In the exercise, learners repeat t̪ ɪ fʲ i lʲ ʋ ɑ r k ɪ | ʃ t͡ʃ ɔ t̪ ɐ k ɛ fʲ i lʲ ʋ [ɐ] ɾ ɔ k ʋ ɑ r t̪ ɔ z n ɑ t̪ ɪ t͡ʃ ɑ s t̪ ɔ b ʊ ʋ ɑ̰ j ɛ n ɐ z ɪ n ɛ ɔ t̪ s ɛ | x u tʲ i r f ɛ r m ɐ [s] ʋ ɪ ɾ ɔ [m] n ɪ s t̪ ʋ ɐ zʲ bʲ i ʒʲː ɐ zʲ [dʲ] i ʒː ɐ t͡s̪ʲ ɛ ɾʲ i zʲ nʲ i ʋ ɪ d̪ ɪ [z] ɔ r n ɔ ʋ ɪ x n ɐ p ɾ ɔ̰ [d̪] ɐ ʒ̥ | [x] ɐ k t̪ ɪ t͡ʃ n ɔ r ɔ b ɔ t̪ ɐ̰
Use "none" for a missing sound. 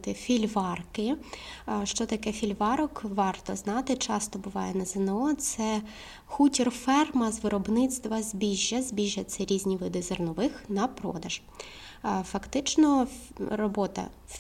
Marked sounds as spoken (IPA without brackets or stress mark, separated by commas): ɑ, z, b, bʲ, z, d̪, f